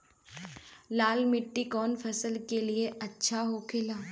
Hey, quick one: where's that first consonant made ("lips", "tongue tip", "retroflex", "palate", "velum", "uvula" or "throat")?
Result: tongue tip